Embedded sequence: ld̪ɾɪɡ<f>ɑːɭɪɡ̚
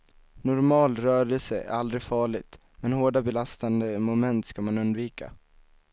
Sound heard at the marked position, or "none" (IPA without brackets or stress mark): f